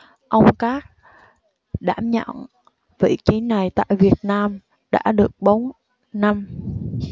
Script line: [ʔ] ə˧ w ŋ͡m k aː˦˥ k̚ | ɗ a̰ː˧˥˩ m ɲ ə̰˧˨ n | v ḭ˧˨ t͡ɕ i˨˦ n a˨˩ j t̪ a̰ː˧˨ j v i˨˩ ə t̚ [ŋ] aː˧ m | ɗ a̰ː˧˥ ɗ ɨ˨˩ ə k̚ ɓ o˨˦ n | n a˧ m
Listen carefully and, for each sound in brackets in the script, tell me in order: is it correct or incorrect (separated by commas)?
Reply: correct, incorrect